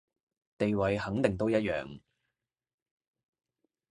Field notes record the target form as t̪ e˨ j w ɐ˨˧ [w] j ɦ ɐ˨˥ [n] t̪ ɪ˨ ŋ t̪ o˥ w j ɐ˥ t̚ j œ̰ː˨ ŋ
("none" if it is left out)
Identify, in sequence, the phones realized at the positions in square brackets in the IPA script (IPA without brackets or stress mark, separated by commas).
none, ŋ